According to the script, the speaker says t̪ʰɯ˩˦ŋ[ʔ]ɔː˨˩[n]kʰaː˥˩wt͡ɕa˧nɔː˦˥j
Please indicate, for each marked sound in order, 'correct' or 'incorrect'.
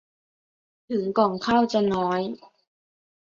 incorrect: k, incorrect: ŋ

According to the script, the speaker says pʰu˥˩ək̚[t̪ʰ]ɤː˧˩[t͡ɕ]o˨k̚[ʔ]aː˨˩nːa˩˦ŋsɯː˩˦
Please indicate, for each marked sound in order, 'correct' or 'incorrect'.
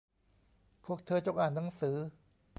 correct, correct, correct

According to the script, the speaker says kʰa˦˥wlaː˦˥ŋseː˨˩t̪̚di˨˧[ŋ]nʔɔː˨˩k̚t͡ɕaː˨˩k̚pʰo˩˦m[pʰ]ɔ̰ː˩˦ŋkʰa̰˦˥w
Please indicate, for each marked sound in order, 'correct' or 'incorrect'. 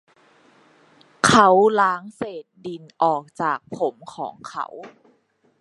incorrect: none, incorrect: kʰ

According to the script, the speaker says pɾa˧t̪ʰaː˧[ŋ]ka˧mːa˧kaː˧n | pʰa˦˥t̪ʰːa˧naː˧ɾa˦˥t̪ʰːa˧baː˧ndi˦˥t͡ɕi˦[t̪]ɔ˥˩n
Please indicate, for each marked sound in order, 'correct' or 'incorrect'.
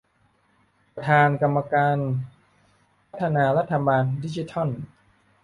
incorrect: n, incorrect: t̪ʰ

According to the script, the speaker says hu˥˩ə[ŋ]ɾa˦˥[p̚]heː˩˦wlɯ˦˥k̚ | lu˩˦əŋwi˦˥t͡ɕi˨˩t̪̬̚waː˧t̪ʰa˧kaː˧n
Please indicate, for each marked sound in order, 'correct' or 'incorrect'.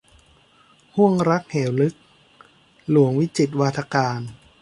correct, incorrect: k̚

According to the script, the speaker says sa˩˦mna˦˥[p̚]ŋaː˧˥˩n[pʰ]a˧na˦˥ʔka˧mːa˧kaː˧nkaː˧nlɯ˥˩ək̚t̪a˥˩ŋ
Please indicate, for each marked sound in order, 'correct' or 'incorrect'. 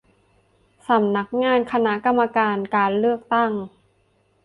incorrect: k̚, incorrect: kʰ

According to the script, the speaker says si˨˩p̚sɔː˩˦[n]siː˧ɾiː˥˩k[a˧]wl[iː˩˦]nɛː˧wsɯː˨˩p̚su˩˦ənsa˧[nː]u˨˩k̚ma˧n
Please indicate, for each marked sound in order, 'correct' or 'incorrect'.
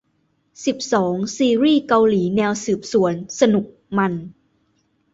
incorrect: ŋ, correct, correct, incorrect: n

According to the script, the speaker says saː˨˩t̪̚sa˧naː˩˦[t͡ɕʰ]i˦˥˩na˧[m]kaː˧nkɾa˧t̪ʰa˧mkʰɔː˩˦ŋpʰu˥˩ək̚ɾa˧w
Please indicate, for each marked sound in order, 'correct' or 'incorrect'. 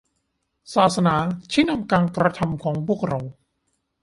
correct, correct

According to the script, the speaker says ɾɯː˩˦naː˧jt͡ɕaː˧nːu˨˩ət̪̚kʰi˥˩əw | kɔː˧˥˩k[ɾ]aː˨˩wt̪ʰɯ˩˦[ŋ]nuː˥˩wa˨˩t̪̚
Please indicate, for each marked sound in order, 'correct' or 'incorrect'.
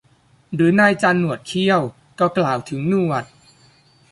incorrect: l, correct

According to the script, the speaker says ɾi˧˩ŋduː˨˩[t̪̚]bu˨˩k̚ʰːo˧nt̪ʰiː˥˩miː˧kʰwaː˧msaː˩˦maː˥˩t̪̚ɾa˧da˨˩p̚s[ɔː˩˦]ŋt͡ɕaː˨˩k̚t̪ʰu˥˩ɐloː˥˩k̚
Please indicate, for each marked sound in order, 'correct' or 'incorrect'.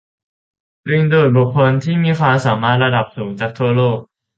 correct, incorrect: uː˩˦

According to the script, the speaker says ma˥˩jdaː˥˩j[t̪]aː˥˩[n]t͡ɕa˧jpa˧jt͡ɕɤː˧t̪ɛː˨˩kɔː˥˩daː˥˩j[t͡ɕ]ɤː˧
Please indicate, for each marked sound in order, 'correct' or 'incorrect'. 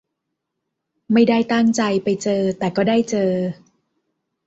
correct, incorrect: ŋ, correct

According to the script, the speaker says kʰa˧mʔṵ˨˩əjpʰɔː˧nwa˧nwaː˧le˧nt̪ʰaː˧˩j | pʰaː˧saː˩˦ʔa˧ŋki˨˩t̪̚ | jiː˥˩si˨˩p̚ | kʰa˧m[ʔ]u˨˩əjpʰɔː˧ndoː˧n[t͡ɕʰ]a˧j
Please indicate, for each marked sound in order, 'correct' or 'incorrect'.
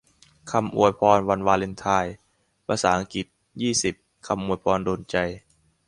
correct, incorrect: t͡ɕ

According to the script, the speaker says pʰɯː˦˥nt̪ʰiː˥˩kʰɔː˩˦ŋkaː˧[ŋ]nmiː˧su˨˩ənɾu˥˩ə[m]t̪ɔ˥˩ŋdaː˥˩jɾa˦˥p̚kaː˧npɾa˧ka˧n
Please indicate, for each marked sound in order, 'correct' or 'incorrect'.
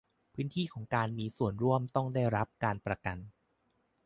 incorrect: none, correct

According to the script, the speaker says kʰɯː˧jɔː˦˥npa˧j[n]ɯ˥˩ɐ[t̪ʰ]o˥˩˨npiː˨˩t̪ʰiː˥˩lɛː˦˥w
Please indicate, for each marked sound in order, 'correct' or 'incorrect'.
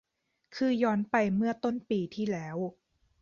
incorrect: m, incorrect: t̪

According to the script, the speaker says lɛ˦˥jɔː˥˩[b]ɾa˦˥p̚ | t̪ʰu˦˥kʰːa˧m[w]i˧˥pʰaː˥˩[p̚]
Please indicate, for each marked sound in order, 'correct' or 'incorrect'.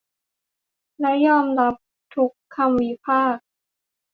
incorrect: m, correct, incorrect: k̚

